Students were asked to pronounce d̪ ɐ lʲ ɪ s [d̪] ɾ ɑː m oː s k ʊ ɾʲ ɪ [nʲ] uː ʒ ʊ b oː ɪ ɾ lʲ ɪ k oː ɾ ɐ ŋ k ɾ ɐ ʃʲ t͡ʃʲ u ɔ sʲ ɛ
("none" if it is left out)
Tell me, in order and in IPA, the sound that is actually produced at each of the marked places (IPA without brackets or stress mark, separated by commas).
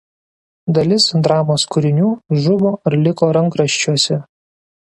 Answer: d̪, nʲ